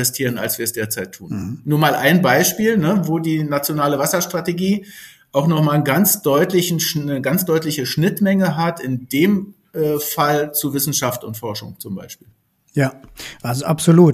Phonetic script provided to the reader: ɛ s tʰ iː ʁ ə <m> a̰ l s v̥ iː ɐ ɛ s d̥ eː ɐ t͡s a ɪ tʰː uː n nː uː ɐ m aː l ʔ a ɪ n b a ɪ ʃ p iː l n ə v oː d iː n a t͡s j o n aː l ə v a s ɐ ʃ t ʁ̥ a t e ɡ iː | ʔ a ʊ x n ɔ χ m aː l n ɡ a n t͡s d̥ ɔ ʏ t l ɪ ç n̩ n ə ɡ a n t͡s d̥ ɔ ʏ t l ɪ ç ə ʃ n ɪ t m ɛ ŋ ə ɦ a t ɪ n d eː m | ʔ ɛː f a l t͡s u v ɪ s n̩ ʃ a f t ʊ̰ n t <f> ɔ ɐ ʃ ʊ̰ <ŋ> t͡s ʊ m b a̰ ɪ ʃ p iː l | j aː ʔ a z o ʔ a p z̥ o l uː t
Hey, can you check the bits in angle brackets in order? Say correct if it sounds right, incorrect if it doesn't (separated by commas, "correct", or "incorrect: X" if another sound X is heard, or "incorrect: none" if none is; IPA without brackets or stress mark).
incorrect: n, correct, correct